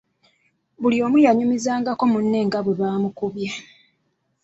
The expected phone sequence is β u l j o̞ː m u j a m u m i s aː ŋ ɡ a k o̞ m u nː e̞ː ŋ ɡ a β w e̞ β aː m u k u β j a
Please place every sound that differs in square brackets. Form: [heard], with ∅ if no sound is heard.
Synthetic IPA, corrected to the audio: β u l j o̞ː m u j a [ɲ] u m i [z] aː ŋ ɡ a k o̞ m u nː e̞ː ŋ ɡ a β w e̞ β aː m u k u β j a